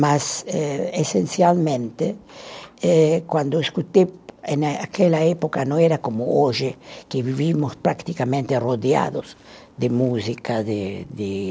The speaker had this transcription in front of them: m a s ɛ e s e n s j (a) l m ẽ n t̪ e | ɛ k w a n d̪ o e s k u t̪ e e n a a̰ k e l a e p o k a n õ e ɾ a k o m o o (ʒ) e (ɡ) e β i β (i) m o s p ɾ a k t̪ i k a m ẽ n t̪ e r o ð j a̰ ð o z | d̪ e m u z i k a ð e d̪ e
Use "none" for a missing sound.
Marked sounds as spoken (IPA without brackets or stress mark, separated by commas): a, ʒ, k, i